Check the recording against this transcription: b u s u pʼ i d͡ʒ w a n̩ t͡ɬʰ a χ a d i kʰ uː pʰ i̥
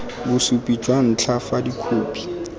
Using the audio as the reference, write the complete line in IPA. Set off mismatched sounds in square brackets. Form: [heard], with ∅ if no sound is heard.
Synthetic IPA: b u s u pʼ i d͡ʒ w a n̩ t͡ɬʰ a [f] a d i kʰ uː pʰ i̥